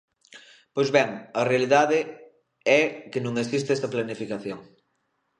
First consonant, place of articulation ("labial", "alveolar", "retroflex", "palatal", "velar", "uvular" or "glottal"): labial